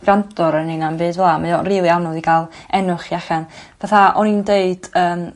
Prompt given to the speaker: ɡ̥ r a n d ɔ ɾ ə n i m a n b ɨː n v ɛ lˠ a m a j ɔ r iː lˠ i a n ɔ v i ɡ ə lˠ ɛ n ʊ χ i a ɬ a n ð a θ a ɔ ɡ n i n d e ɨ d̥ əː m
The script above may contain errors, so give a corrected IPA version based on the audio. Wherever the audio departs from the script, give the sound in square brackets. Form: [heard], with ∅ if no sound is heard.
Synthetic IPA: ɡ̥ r a n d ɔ ɾ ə n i [n] a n b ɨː [d] v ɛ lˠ a m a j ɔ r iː lˠ i a n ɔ [ð] i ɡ [a] lˠ ɛ n ʊ χ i a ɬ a n [v] a θ a ɔ [∅] n i n d e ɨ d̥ əː m